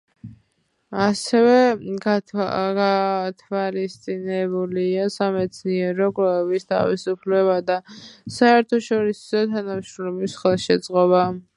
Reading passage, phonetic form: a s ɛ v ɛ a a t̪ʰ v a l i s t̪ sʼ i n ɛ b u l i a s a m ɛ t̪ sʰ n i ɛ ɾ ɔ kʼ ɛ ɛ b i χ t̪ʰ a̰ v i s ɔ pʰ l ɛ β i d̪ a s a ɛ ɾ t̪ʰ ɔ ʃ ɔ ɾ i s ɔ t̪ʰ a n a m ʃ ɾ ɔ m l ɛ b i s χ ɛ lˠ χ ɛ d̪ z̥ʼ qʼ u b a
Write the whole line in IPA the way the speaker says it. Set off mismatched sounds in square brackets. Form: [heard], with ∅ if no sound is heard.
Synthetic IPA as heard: a s ɛ v ɛ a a t̪ʰ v a l i s t̪ sʼ i n ɛ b u l i a s a m ɛ t̪ sʰ n i ɛ ɾ ɔ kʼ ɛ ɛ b i [s] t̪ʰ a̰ v i s [u] pʰ l ɛ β [a] d̪ a s a ɛ ɾ t̪ʰ ɔ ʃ ɔ ɾ i s ɔ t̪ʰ a n a m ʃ ɾ ɔ m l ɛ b i s χ ɛ lˠ [ʃ] ɛ d̪ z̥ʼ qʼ [ɔ] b a